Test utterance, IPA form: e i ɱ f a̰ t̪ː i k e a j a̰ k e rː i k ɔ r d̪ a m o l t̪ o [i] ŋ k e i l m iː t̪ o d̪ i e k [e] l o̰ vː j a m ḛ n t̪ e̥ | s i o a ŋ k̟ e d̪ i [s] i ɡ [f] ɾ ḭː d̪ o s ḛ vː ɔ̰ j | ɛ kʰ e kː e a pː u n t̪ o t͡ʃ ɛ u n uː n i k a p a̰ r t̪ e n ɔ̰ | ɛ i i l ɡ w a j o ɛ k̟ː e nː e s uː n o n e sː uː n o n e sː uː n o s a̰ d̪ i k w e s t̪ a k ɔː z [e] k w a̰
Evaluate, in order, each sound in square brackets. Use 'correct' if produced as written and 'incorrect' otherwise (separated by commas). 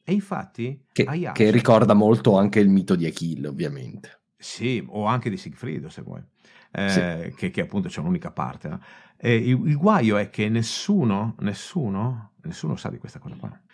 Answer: incorrect, incorrect, correct, correct, incorrect